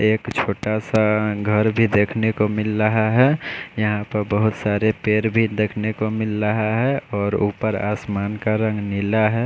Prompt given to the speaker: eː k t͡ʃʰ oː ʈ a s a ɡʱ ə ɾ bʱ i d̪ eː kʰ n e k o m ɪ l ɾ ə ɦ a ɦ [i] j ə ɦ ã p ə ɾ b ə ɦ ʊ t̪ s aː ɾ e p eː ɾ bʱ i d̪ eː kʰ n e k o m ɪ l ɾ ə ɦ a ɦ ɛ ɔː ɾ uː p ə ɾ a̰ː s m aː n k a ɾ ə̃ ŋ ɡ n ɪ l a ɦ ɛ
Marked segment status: incorrect: ɛ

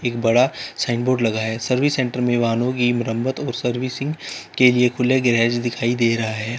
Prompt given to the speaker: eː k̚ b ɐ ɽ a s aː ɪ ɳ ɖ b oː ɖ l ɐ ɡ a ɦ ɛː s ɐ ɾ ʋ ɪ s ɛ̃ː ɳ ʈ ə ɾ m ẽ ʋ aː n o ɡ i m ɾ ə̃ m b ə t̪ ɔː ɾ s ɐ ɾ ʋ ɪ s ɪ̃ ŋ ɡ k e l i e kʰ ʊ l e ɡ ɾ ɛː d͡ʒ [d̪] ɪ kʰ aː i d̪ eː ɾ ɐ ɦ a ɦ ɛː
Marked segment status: correct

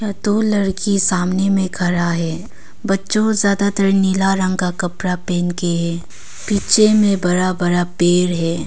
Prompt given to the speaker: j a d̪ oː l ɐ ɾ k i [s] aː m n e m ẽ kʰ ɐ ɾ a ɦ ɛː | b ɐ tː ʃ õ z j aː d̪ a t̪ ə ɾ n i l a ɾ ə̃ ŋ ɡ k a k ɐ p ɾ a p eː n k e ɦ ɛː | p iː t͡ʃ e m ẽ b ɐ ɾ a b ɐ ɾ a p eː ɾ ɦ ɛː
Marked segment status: correct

